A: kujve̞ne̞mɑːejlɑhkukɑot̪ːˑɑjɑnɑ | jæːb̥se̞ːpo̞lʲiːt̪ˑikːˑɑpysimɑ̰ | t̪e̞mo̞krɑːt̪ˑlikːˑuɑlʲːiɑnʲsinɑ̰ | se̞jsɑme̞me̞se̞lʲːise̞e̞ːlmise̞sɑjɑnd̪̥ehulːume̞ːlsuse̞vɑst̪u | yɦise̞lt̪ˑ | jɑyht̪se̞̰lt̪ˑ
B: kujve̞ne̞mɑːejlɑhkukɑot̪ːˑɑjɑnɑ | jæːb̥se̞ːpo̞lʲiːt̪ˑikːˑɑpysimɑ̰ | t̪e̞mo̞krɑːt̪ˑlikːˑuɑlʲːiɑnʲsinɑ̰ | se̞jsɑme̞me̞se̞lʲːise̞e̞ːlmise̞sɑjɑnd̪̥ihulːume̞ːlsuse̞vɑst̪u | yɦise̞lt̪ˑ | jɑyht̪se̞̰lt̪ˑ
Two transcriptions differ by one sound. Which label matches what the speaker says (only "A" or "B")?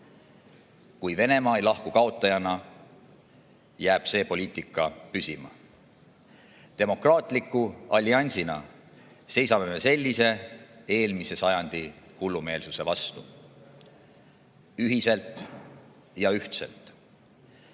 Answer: B